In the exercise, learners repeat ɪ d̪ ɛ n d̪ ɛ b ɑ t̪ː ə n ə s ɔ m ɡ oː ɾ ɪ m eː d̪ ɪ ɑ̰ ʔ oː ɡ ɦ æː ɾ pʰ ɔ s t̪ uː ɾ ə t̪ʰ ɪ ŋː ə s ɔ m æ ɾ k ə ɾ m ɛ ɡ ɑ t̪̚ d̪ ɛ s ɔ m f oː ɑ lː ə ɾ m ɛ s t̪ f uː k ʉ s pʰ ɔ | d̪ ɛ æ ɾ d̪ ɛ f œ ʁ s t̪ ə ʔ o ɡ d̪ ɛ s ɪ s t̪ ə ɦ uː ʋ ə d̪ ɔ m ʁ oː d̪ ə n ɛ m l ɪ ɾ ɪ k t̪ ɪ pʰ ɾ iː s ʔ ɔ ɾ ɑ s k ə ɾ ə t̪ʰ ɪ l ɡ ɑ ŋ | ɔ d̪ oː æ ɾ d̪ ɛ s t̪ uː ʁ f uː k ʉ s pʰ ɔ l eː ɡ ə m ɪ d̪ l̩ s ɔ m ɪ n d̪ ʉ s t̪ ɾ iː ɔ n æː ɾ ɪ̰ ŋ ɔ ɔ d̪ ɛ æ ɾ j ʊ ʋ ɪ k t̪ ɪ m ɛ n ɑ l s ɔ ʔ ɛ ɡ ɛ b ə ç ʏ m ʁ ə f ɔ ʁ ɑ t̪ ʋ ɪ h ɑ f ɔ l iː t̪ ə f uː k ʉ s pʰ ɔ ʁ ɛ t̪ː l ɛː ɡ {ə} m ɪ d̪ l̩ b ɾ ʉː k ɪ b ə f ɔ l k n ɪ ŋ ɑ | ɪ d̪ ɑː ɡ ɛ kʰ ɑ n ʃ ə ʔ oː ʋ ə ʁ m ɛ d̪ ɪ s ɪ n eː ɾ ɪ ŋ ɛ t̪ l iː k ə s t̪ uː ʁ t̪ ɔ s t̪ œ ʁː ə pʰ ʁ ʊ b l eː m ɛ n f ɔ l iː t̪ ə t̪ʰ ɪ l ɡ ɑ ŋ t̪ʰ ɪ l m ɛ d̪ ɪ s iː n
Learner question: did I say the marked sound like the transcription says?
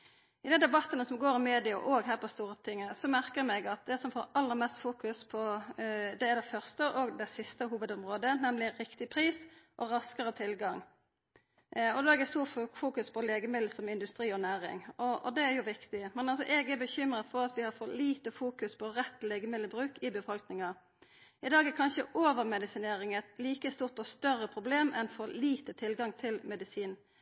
yes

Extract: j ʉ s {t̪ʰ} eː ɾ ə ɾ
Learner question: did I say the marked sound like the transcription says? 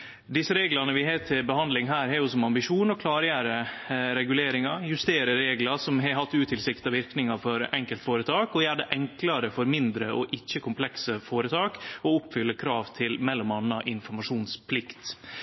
no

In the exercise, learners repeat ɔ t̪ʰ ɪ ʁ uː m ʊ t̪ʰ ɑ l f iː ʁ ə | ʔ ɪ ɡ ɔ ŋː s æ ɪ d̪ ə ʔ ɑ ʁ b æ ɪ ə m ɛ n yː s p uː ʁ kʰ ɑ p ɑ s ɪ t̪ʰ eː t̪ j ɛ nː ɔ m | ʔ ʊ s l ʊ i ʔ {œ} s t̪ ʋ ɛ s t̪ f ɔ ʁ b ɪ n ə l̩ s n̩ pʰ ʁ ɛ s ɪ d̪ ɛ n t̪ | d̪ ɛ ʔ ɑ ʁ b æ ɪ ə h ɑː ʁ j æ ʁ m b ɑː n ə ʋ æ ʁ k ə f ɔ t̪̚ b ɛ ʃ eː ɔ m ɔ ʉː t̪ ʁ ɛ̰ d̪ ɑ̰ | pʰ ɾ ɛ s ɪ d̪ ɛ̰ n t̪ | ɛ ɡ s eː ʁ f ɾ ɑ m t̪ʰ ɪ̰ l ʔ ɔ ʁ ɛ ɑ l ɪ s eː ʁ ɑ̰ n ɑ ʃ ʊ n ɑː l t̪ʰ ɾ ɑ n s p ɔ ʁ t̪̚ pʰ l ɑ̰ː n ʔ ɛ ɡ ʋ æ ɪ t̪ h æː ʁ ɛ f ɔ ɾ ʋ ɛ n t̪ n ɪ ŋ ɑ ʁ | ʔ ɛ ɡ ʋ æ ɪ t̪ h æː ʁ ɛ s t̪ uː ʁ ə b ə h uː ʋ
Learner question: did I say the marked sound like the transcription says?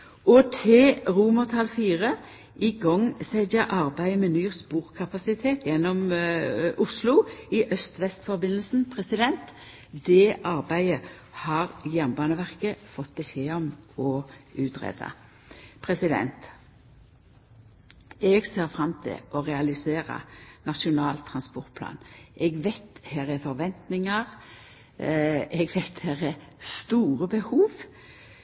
yes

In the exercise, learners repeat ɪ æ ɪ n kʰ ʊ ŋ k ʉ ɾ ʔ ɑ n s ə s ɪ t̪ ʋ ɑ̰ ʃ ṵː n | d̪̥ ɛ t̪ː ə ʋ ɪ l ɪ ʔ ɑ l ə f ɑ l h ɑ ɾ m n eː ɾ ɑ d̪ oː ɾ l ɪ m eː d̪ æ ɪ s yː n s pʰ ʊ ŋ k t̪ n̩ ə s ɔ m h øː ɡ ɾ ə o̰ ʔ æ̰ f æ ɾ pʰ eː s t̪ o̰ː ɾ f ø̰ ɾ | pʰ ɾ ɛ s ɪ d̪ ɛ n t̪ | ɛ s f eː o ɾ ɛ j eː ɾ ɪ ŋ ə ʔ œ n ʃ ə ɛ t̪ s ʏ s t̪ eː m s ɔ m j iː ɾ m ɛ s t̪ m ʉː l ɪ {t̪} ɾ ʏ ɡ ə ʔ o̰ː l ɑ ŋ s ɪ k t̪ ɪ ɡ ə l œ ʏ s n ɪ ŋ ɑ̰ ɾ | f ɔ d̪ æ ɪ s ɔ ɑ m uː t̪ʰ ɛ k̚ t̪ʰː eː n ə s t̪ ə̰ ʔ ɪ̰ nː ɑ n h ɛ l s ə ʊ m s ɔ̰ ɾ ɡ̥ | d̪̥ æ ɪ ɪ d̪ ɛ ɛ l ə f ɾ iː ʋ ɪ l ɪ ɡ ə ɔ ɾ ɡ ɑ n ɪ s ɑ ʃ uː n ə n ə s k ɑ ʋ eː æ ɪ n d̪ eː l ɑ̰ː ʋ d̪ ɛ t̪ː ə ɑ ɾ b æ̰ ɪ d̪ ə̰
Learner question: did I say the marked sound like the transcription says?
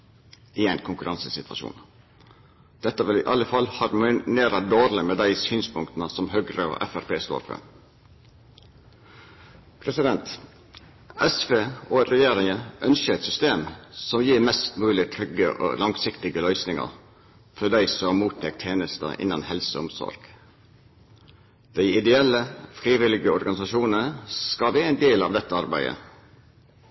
no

